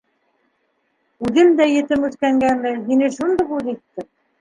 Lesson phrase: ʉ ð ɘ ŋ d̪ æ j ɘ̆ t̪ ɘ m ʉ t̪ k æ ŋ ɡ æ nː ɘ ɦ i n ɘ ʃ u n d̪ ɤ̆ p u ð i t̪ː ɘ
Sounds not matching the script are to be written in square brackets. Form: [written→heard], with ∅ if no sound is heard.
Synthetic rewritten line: ʉ ð ɘ [ŋ→m] d̪ æ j ɘ̆ t̪ ɘ m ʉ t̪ k æ ŋ ɡ æ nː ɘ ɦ i n ɘ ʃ u n d̪ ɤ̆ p u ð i t̪ː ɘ